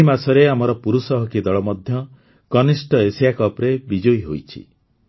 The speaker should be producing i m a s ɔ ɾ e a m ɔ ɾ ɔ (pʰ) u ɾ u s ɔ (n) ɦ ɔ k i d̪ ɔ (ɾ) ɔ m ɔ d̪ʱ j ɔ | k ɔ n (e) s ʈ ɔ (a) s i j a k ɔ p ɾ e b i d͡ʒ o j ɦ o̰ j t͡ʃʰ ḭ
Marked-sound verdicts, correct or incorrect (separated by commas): incorrect, incorrect, incorrect, incorrect, incorrect